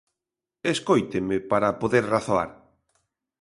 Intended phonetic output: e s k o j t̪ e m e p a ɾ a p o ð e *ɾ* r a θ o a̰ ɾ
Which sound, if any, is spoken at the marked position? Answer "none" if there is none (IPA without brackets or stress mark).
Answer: ɾ